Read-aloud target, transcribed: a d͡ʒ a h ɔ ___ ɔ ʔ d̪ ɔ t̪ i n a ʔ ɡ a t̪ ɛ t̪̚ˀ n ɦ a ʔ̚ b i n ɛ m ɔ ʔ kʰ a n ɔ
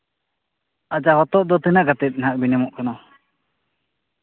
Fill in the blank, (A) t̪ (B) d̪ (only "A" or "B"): A